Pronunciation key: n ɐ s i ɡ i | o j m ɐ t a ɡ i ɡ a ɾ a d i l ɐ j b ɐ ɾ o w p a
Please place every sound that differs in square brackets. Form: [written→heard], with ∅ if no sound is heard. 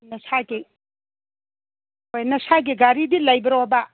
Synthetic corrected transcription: n ɐ s [i→a] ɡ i | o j [m→n] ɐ [t→s] a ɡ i ɡ a ɾ [a→i] d i l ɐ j b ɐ ɾ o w [p→b] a